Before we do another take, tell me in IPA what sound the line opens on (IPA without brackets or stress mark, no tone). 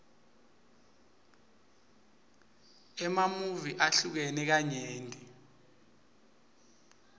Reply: ɛ